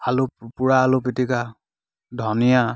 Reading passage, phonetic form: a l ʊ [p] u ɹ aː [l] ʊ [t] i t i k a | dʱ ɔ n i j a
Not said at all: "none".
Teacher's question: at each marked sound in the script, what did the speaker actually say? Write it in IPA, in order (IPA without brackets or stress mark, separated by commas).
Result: p, l, p